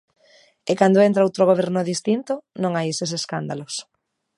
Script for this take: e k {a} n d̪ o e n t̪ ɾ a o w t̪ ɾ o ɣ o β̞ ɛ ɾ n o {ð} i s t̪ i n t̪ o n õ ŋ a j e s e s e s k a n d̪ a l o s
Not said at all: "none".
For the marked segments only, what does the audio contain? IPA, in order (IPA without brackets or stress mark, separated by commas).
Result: a, ð